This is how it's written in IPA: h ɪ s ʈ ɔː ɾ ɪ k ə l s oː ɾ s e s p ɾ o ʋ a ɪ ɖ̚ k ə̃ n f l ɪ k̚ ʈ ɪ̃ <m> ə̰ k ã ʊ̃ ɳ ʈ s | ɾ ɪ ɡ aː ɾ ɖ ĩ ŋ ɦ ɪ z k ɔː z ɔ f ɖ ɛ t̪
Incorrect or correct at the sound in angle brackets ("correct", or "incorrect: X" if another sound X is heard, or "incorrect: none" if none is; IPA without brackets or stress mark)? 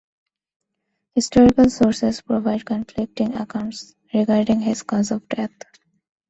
incorrect: ŋ